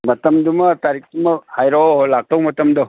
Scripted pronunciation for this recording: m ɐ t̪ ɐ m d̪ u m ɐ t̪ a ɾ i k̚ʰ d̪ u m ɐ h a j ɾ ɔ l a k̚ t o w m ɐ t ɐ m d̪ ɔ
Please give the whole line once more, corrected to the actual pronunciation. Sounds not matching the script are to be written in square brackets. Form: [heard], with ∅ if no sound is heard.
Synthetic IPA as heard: m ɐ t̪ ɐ m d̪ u m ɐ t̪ a ɾ i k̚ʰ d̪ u m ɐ h a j ɾ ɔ l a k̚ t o w m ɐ t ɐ m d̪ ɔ